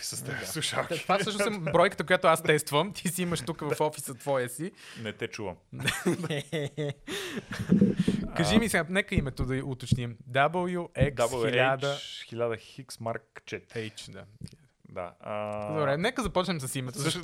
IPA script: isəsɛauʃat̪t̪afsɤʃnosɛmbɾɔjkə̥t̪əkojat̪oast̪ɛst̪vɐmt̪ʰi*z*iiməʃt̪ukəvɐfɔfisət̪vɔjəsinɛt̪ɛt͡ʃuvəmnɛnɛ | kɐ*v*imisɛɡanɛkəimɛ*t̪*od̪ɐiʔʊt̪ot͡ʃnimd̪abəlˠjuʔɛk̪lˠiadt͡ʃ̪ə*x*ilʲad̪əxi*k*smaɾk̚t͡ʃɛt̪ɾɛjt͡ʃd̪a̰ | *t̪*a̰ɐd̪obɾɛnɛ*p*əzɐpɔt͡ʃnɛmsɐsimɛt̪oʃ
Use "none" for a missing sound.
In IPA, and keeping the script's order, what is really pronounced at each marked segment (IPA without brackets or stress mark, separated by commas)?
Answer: s, ʒ, t̪, x, k, d̪, k